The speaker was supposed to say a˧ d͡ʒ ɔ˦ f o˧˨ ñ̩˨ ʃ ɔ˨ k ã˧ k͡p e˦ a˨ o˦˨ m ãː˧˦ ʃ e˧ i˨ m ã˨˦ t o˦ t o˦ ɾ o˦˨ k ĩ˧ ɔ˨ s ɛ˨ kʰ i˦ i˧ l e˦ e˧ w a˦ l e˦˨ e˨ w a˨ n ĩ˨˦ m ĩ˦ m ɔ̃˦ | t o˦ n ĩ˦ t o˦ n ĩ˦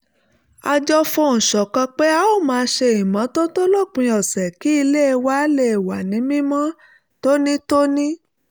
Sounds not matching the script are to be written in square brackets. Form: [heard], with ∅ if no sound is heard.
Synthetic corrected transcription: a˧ d͡ʒ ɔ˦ f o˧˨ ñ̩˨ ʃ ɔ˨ k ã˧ k͡p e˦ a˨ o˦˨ m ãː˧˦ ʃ e˧ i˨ m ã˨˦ t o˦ t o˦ [l] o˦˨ [k͡p] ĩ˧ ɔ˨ s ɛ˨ [k] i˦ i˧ l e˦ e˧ w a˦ l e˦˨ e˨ w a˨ n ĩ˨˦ m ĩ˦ m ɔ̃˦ | t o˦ n ĩ˦ t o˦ n ĩ˦